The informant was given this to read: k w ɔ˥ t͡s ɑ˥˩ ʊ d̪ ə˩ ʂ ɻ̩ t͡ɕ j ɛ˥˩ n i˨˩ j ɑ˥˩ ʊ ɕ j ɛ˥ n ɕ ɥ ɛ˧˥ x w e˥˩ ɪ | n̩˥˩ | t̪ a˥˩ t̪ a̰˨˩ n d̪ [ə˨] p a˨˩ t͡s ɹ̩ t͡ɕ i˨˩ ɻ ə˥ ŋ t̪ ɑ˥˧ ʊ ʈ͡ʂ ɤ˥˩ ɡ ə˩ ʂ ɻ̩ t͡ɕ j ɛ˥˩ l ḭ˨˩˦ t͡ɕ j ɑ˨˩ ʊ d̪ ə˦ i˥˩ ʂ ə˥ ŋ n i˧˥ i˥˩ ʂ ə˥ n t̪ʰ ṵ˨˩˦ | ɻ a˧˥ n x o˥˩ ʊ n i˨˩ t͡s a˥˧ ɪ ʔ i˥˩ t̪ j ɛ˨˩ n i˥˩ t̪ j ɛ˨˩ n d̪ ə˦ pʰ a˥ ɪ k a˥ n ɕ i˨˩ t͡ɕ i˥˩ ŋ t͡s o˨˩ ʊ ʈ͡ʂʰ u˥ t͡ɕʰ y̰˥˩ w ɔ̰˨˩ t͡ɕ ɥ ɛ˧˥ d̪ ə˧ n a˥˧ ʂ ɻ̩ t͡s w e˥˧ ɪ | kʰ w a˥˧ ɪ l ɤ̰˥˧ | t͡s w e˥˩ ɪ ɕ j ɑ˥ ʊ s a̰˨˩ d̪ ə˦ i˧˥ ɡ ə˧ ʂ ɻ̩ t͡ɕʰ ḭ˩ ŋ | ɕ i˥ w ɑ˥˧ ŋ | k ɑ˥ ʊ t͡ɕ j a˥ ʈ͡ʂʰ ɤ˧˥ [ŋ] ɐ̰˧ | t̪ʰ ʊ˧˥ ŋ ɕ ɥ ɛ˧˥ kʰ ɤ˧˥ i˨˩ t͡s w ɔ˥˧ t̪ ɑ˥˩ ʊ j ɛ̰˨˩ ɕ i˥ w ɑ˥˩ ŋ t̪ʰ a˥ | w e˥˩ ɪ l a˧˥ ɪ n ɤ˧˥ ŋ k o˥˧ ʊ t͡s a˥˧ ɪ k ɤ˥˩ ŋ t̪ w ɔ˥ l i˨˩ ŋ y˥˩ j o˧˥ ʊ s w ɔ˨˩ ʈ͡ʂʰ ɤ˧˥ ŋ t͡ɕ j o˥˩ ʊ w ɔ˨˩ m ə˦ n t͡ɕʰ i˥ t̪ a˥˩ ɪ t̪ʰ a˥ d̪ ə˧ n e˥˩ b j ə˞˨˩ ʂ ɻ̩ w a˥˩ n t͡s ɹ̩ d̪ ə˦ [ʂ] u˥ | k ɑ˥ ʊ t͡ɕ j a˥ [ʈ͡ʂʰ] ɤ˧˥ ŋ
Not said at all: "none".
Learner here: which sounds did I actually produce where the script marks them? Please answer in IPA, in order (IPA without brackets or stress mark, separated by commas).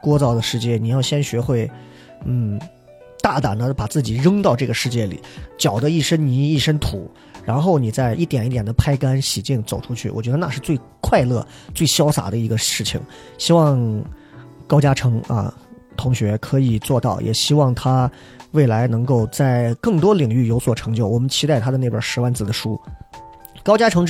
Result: ə˦, ŋ, ʂ, ʈ͡ʂʰ